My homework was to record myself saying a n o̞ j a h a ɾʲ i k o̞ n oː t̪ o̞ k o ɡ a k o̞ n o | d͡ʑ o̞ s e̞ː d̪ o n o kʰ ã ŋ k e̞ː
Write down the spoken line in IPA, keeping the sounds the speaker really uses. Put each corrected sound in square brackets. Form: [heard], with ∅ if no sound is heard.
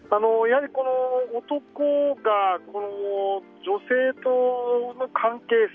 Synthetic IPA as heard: a n o̞ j a h a ɾʲ i k o̞ n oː t̪ o̞ k o ɡ a k o̞ n o | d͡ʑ o̞ s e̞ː [t̪] o n o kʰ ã ŋ k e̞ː